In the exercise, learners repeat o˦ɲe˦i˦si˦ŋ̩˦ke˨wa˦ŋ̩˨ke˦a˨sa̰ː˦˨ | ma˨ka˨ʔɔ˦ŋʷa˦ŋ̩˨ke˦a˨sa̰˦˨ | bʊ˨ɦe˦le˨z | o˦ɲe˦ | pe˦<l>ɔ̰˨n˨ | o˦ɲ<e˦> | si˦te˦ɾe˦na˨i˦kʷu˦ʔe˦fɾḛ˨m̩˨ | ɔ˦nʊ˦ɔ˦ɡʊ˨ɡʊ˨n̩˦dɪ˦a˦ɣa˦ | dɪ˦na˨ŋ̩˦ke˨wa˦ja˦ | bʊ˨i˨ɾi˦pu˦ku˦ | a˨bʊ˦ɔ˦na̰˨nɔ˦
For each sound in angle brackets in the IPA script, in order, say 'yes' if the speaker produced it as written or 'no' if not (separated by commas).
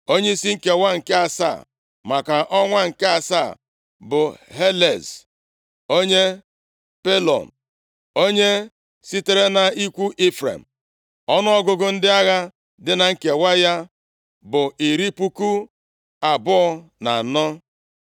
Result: yes, yes